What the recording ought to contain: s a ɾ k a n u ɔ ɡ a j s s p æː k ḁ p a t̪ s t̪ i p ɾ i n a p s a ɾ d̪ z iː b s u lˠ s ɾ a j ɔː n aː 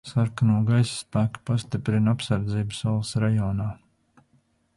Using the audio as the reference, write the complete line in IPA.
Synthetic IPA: s a ɾ k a n u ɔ ɡ a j s s p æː k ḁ p a s t̪ i p ɾ i n a p s a ɾ d̪ z iː b s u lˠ s ɾ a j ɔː n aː